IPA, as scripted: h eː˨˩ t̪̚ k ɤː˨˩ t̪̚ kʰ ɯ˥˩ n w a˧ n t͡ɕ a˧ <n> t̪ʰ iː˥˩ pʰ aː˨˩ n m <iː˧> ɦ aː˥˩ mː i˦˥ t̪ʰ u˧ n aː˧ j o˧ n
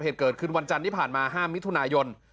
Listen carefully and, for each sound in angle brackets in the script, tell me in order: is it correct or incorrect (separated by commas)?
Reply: correct, incorrect